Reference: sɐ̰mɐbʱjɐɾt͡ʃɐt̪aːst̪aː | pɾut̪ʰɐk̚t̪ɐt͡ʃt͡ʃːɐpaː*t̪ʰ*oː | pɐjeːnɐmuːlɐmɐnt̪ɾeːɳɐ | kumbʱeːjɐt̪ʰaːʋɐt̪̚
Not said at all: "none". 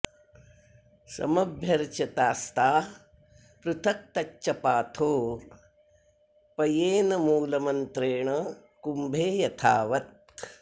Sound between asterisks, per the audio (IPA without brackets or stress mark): t̪ʰ